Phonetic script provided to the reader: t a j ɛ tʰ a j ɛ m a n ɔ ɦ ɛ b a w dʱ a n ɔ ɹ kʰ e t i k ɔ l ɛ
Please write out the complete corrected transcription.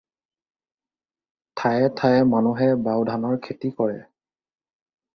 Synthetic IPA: tʰ a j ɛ tʰ a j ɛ m a n u ɦ ɛ b a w dʱ a n ɔ ɹ kʰ e t i k ɔ ɹ ɛ